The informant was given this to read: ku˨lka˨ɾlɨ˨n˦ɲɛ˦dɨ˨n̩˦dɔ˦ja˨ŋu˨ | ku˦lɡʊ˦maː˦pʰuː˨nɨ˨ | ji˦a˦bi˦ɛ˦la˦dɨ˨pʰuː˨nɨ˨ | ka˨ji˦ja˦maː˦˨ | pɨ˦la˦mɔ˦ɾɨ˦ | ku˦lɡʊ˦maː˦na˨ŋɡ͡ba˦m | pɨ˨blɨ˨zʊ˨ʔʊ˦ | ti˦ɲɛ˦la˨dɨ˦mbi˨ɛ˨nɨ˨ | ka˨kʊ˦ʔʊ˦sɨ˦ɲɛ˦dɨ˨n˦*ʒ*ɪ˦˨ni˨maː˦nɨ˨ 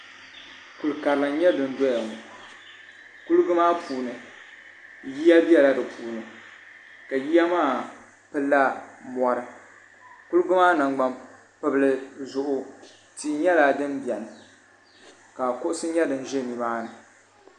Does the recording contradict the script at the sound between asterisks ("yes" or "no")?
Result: no